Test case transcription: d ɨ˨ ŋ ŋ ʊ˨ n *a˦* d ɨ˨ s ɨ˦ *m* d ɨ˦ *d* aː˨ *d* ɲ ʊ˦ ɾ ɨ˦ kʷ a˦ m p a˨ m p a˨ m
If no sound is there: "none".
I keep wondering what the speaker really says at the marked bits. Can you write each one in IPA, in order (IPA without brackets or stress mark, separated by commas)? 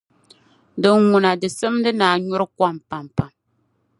a˨, m, n, none